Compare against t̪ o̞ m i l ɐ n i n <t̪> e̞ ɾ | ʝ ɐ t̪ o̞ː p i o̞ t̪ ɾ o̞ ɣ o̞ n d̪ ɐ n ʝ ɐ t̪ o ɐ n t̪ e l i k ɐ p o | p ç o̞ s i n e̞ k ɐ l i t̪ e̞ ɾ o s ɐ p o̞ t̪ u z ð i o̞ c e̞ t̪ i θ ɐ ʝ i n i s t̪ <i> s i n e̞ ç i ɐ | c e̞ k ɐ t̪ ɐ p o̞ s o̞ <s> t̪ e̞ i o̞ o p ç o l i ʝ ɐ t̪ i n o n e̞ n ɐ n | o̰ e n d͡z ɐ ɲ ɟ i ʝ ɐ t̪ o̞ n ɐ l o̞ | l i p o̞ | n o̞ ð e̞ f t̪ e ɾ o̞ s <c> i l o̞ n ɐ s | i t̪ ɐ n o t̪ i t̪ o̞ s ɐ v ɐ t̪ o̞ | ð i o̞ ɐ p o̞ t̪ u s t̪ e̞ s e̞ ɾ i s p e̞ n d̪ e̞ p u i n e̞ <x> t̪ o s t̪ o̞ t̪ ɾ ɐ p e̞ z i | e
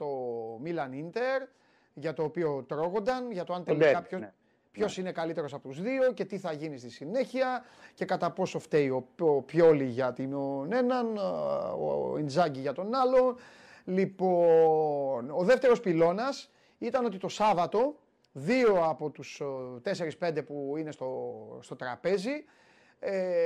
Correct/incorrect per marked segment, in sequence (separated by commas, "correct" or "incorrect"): correct, correct, incorrect, incorrect, incorrect